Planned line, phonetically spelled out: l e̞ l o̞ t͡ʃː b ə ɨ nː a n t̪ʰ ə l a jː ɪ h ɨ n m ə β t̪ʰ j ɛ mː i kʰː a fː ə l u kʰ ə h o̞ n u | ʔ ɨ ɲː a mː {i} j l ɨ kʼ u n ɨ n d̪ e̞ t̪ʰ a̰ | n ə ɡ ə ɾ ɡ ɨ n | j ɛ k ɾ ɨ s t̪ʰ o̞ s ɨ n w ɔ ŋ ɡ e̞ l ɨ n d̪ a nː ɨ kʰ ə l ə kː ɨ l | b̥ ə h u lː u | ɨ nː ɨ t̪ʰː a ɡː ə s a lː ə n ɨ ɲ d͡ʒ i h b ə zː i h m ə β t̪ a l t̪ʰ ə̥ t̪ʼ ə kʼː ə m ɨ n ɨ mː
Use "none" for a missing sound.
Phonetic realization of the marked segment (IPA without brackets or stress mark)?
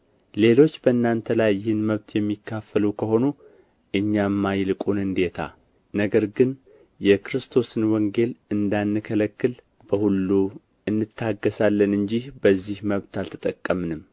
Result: a